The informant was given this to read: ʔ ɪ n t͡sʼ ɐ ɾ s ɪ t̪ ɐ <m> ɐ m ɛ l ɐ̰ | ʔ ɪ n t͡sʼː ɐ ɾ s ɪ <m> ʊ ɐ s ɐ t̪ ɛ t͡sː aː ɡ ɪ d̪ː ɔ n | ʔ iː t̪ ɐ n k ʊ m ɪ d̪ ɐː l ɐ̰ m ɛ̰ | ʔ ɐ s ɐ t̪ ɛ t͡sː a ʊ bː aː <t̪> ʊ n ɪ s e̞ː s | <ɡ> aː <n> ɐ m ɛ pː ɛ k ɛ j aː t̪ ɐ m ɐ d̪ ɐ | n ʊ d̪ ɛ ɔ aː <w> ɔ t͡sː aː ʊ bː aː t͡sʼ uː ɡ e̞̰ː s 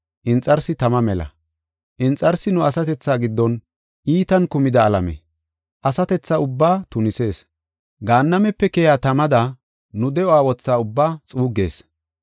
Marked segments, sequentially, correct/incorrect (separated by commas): correct, incorrect, correct, correct, incorrect, correct